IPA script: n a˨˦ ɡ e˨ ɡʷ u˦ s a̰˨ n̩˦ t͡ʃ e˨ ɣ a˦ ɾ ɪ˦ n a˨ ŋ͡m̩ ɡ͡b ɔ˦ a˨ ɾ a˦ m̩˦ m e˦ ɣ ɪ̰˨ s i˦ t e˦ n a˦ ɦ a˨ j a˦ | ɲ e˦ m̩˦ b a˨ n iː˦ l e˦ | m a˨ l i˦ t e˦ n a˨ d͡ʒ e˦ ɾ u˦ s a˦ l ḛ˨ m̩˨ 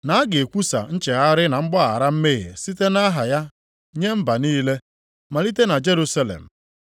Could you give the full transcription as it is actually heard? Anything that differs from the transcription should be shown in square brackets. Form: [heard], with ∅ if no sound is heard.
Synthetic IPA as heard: n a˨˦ ɡ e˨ [kʷ] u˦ s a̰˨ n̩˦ t͡ʃ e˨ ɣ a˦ ɾ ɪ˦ n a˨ ŋ͡m̩ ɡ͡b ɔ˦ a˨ ɾ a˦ m̩˦ m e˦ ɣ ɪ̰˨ s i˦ t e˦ n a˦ ɦ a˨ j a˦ | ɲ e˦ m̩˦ b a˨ n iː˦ l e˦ | m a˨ l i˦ t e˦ n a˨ d͡ʒ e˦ ɾ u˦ s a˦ l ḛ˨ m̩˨